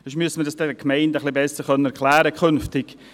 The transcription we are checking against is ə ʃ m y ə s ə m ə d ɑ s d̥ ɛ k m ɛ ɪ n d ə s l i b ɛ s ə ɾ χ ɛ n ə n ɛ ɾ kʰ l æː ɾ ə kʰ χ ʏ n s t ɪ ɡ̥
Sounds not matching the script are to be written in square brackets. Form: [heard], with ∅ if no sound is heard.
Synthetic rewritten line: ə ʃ m y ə s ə m ə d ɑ s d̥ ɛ k m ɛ ɪ n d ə [χ] l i b ɛ s ə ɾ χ [œ] n ə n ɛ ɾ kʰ l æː ɾ ə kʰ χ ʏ n [f] t ɪ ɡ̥